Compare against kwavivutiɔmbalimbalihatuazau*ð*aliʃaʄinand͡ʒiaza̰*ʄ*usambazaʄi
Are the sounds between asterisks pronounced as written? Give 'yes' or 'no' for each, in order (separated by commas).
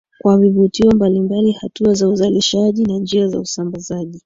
no, no